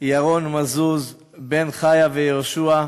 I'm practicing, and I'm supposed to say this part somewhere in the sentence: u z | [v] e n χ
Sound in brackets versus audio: incorrect: b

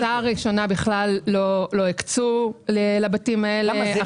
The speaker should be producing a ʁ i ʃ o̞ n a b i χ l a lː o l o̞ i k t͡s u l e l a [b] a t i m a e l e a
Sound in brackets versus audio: correct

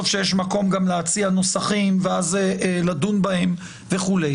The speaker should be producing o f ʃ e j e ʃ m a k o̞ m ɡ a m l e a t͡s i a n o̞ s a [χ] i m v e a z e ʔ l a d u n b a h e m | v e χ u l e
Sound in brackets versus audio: correct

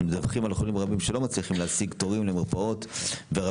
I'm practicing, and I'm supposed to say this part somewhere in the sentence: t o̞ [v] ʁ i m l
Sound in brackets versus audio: incorrect: none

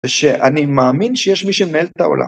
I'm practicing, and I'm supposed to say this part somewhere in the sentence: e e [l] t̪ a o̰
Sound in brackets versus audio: correct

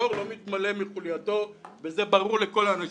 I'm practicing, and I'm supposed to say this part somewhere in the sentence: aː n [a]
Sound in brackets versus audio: correct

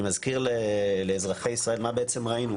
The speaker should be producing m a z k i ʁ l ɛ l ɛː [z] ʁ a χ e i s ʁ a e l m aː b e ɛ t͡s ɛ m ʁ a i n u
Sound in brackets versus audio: correct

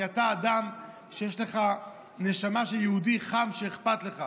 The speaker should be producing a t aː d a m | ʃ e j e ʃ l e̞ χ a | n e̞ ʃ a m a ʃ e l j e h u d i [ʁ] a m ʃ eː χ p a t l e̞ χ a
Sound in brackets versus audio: incorrect: χ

